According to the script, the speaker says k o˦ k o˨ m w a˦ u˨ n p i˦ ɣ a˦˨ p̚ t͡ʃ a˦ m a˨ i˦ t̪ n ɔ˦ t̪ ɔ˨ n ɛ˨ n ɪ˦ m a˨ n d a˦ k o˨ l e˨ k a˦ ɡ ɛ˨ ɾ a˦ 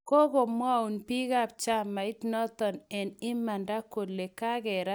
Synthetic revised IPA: k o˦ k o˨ m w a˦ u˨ n p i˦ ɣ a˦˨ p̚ t͡ʃ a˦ m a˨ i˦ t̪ n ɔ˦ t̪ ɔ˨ n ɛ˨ n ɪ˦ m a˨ n d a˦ k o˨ l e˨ k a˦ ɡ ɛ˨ ɾ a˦